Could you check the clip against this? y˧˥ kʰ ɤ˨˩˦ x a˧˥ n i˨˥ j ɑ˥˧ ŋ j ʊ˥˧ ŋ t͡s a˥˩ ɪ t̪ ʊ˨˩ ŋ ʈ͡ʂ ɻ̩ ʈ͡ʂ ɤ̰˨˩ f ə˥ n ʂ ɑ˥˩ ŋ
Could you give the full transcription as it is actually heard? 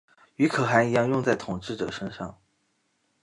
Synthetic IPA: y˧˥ kʰ ɤ˨˩ x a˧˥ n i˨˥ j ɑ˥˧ ŋ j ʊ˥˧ ŋ t͡s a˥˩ ɪ t̪ʰ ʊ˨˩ ŋ ʈ͡ʂ ɻ̩ ʈ͡ʂ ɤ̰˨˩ ʂ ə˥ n ʂ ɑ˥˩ ŋ